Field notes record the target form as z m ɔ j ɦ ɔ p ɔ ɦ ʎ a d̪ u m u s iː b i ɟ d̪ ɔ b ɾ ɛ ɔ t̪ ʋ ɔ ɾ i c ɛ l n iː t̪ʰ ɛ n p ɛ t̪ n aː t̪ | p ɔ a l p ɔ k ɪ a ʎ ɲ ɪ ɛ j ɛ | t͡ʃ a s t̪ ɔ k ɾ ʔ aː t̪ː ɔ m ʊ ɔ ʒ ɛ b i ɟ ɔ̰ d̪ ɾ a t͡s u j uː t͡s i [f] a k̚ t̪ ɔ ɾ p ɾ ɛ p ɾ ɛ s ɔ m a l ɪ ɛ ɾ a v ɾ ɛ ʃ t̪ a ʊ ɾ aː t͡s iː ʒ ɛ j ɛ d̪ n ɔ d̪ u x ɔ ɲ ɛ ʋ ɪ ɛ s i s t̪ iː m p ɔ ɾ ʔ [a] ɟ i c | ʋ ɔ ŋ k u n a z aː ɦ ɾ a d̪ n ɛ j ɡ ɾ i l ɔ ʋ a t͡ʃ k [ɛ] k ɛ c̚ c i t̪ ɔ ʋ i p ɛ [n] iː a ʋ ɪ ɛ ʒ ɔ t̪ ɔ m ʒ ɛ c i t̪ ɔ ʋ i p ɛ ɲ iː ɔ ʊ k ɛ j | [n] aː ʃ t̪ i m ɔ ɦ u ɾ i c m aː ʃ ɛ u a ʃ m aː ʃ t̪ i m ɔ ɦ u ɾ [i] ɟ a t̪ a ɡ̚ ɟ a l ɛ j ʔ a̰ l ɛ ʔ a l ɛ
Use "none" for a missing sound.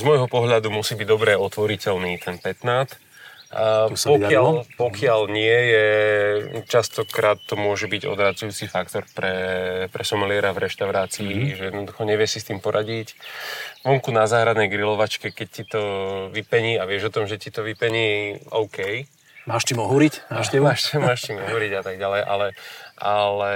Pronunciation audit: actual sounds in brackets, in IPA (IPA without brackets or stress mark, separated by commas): f, a, ɛ, ɲ, m, i